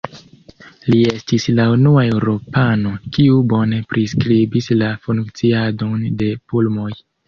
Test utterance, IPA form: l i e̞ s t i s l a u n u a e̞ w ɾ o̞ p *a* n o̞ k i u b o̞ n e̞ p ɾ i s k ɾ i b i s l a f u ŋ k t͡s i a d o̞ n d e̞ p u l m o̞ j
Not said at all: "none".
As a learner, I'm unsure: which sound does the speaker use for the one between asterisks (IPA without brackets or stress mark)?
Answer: a